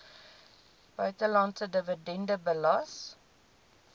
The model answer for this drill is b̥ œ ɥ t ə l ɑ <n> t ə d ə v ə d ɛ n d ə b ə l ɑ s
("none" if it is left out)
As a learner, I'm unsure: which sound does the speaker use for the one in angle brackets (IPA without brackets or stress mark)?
n